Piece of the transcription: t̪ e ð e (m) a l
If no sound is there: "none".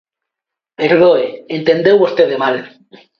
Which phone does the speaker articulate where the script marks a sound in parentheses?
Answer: m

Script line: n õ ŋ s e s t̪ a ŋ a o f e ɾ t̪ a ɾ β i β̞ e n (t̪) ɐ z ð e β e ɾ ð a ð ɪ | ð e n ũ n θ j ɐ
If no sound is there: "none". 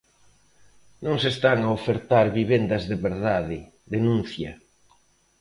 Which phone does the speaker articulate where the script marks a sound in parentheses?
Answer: d̪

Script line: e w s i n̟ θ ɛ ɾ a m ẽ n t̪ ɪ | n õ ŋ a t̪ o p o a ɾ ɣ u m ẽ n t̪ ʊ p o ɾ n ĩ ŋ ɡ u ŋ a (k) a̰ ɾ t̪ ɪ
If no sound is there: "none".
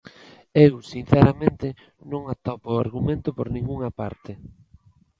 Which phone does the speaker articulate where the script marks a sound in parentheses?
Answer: p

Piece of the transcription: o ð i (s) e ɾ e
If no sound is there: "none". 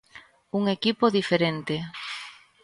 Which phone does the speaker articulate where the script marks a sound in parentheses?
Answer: f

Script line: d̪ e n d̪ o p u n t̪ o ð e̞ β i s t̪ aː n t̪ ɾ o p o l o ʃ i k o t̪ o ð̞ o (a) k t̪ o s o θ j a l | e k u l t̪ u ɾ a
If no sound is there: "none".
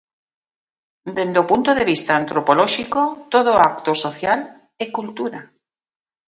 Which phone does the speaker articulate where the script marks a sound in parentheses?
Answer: a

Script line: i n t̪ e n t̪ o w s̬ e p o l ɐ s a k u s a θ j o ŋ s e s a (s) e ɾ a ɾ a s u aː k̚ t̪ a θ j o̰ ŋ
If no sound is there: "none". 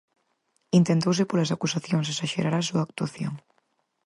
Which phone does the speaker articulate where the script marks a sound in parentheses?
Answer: ʃ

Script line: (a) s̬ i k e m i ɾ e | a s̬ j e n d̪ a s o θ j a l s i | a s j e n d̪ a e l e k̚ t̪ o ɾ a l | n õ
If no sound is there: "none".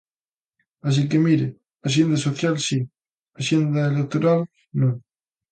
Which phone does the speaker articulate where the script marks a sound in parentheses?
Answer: a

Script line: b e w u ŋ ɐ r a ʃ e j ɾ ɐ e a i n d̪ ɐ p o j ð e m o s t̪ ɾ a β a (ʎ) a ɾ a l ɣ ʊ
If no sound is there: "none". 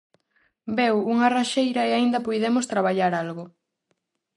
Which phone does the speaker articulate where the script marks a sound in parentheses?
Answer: ʎ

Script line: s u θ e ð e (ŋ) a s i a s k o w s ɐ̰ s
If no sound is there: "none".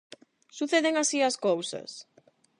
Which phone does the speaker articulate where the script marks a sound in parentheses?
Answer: ŋ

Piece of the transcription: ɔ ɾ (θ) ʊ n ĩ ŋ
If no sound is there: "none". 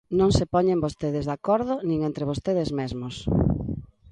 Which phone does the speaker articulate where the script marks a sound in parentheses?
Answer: ð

